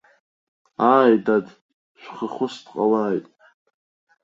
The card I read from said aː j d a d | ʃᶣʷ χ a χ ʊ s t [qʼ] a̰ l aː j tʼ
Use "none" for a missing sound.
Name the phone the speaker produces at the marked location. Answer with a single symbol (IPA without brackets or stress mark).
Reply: qʼ